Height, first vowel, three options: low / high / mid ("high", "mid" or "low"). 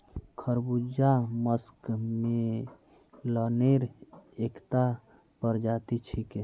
mid